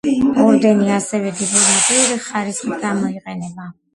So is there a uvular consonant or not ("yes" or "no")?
yes